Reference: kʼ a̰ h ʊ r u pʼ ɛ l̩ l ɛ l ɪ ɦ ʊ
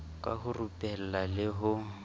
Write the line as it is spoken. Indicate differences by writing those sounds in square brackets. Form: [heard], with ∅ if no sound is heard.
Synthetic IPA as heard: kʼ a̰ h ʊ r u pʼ ɛ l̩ l [a] l ɪ ɦ ʊ